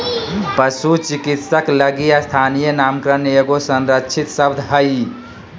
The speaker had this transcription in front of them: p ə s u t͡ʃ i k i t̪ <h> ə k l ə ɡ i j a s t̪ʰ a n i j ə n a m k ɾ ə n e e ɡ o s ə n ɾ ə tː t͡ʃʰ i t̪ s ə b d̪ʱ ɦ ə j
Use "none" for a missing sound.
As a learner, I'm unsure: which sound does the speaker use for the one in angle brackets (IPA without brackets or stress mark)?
s